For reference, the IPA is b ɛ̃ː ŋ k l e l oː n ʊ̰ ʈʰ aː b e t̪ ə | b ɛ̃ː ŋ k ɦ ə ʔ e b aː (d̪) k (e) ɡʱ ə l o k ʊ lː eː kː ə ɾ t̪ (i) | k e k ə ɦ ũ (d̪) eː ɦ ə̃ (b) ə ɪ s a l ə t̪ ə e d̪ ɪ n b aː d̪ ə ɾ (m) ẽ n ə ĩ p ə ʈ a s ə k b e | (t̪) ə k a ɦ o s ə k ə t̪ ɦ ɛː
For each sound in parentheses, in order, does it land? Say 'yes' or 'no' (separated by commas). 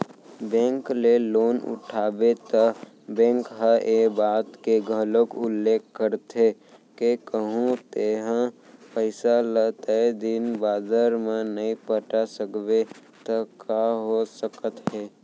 no, yes, no, no, no, yes, yes